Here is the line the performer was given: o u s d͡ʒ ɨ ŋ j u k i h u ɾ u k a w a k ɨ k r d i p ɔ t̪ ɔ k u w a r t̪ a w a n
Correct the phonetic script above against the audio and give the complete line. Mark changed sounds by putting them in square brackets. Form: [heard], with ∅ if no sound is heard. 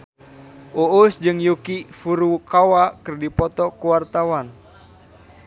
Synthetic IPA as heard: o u s d͡ʒ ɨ ŋ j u k i [f] u ɾ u k a w a k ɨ [∅] r d i p ɔ t̪ ɔ k u w a r t̪ a w a n